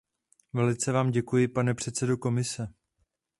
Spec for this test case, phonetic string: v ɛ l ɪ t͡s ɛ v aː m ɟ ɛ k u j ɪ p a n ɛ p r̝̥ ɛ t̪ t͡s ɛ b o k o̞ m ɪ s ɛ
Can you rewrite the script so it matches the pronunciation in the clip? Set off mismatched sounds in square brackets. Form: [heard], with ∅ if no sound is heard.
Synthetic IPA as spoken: v ɛ l ɪ t͡s ɛ v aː m ɟ ɛ k u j ɪ p a n ɛ p r̝̥ ɛ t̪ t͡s ɛ [d] o k o̞ m ɪ s ɛ